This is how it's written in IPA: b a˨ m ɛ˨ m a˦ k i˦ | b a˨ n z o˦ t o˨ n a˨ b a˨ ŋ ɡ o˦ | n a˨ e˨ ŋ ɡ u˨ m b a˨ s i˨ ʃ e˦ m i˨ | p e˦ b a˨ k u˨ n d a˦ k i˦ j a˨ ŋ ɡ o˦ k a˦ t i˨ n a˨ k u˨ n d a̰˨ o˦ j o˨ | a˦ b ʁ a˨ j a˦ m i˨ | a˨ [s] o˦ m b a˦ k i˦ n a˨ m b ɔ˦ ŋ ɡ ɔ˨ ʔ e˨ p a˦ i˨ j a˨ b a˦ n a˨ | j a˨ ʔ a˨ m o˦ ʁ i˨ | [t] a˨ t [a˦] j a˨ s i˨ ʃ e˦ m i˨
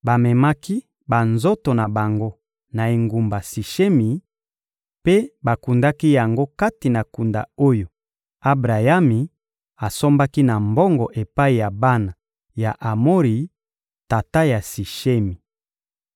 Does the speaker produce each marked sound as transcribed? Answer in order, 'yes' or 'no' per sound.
yes, yes, yes

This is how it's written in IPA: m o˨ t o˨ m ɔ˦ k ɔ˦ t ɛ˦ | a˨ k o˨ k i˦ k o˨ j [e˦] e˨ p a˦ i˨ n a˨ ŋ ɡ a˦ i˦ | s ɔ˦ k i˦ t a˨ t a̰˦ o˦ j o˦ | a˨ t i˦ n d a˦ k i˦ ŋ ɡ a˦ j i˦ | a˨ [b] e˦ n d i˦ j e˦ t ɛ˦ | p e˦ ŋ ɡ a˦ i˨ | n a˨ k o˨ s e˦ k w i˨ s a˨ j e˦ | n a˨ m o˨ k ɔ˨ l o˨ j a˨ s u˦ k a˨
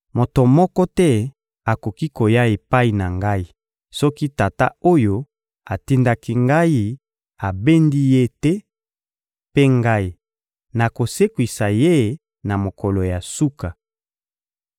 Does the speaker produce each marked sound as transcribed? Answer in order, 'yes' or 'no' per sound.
no, yes

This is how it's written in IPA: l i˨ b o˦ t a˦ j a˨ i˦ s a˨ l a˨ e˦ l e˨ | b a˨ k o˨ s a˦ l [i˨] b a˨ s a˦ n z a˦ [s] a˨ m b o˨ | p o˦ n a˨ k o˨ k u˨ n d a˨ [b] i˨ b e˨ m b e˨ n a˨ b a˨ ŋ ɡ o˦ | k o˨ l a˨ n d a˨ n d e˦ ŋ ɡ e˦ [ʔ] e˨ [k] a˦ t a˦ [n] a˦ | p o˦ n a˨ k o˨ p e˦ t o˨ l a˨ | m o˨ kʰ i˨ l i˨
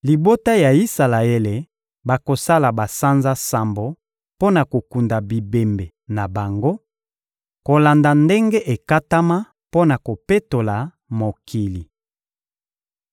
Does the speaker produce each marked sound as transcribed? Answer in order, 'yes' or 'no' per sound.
no, yes, yes, yes, yes, no

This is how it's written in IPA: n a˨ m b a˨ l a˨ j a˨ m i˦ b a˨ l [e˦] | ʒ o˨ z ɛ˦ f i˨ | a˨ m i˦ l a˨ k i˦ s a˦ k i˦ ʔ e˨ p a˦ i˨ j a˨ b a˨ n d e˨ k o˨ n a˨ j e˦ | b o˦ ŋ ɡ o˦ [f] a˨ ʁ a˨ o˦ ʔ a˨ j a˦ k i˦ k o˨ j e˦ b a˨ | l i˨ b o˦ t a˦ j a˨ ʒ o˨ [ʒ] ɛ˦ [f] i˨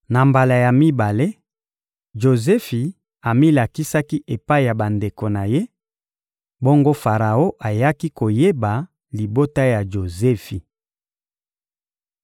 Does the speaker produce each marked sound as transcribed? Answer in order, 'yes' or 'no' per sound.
yes, yes, no, yes

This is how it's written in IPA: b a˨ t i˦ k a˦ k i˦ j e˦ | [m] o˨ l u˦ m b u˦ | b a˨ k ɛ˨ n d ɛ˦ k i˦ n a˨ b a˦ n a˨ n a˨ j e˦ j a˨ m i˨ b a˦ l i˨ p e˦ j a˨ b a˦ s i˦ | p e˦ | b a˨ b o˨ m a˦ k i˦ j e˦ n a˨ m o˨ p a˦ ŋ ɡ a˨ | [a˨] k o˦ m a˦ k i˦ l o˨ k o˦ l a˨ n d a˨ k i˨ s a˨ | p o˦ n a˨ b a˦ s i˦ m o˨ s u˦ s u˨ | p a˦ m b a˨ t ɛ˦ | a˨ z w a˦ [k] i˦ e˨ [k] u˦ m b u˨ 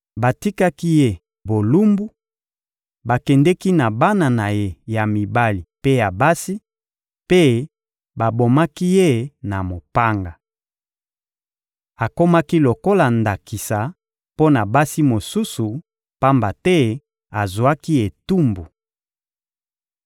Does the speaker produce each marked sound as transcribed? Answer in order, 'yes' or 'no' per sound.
no, yes, yes, no

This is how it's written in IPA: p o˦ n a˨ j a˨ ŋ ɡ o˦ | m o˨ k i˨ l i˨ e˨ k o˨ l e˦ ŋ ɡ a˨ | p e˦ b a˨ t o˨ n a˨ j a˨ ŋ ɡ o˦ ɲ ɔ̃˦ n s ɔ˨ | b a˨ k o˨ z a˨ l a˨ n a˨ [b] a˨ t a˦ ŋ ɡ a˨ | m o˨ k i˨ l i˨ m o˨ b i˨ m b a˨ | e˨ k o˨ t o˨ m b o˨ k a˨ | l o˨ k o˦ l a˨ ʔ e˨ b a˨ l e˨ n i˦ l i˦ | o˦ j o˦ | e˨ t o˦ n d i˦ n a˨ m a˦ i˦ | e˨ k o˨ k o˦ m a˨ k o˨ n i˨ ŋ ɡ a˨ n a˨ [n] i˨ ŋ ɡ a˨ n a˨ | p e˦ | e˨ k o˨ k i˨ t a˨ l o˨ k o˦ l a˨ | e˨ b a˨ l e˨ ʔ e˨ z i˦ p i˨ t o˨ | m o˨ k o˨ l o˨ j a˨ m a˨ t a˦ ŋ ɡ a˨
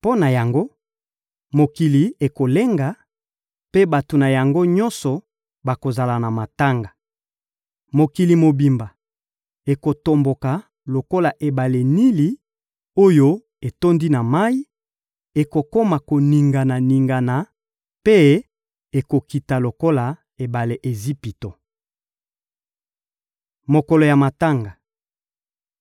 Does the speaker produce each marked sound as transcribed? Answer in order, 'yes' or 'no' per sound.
no, yes

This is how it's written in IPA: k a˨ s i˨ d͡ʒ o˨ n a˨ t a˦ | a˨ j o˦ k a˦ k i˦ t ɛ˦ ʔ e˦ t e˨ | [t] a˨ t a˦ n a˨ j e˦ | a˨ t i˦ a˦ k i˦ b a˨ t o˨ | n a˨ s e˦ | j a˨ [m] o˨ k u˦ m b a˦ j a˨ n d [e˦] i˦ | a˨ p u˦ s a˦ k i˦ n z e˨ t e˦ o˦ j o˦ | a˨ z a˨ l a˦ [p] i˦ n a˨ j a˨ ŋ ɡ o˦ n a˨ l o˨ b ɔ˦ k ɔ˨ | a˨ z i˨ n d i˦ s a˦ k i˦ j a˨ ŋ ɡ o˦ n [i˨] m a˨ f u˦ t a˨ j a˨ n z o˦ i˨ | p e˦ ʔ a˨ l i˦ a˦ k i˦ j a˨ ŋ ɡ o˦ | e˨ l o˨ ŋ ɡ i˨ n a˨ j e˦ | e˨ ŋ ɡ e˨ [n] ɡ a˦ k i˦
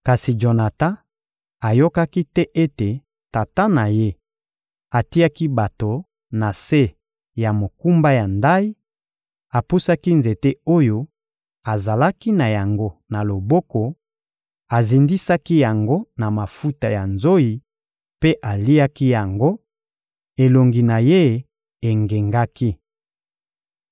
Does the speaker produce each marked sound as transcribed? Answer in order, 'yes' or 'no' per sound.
yes, yes, no, no, no, no

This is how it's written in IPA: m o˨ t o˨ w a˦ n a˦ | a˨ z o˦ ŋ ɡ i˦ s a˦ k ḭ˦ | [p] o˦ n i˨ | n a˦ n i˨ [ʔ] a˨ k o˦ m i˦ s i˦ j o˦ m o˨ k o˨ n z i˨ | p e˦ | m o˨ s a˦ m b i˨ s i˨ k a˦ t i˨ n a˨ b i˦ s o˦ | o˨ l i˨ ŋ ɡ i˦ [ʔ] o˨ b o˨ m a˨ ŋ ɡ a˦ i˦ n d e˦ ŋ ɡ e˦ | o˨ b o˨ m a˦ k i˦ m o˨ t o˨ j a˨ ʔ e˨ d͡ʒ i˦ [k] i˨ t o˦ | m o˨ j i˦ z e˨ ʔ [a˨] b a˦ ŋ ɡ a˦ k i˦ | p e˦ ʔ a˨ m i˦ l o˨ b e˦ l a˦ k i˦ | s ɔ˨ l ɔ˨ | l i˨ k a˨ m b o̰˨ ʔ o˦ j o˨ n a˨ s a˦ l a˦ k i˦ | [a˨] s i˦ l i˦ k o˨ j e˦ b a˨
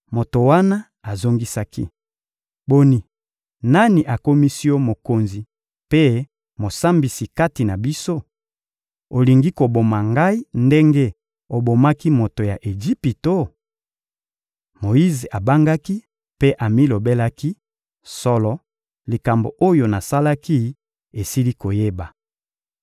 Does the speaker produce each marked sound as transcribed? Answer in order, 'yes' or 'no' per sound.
no, yes, no, no, yes, no

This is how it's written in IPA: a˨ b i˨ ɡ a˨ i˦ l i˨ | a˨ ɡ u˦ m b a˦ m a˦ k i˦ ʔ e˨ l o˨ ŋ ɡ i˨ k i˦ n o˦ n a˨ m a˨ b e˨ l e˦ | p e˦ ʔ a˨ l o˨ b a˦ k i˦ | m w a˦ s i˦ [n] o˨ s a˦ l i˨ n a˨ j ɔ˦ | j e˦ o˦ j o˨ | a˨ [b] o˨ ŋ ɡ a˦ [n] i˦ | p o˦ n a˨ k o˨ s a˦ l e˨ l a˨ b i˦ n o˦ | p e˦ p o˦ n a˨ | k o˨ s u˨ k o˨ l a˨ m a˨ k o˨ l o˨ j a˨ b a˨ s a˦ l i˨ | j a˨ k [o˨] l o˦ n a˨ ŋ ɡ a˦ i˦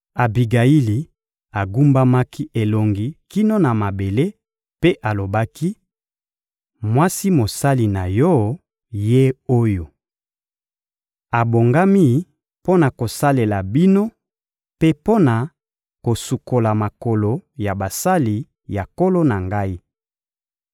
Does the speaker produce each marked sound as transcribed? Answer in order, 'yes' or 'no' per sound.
no, yes, no, no

